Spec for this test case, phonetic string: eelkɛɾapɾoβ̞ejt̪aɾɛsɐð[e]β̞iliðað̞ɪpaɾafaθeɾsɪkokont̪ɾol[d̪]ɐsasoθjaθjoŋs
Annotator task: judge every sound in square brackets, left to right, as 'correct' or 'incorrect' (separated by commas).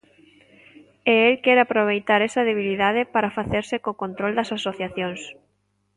correct, correct